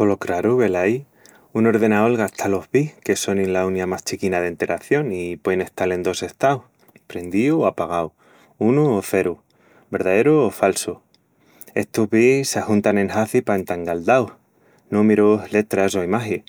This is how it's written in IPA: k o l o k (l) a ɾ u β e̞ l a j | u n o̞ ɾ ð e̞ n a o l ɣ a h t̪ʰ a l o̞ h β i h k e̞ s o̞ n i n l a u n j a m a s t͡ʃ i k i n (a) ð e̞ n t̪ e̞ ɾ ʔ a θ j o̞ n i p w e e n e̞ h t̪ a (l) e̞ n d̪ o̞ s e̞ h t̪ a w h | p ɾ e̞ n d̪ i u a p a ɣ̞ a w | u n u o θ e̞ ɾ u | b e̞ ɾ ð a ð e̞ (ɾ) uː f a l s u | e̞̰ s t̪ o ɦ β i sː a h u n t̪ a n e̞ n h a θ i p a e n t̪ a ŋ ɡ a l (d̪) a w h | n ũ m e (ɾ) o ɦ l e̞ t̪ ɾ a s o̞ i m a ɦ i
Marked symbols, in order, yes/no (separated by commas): no, yes, yes, yes, yes, yes